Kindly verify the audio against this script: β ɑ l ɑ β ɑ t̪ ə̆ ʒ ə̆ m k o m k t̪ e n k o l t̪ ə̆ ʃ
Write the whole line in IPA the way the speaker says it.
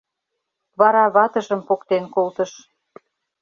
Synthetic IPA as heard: β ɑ ɾ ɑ β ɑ t̪ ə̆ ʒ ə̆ m p o k t̪ e n k o l t̪ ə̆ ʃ